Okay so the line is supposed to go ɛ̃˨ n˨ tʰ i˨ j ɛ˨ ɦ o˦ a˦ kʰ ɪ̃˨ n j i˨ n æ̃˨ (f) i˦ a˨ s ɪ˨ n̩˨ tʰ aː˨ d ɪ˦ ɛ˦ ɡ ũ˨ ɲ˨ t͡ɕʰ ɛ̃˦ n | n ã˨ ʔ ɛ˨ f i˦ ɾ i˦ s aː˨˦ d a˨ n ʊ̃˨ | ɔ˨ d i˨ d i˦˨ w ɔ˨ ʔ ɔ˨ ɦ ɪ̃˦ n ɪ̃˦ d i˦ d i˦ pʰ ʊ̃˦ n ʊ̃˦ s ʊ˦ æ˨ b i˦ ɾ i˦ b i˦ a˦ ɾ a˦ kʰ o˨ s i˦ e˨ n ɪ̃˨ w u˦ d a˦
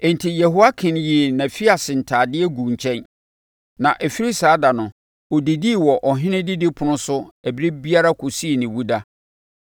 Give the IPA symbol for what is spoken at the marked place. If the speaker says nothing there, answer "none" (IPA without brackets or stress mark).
f